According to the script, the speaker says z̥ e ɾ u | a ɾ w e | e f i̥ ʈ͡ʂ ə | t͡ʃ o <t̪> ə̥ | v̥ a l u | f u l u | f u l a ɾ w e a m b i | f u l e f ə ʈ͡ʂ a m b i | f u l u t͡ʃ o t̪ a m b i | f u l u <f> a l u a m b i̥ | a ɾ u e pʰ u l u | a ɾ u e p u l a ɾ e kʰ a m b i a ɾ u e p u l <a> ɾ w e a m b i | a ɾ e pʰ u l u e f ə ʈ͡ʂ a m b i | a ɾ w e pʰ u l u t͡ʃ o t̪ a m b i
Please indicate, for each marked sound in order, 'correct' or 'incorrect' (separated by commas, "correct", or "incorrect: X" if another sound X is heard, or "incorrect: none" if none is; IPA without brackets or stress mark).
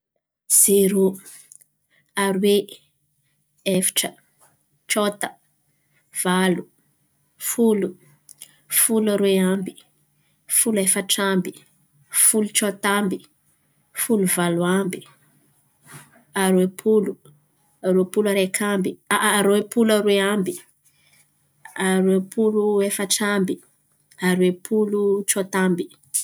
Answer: correct, incorrect: v, correct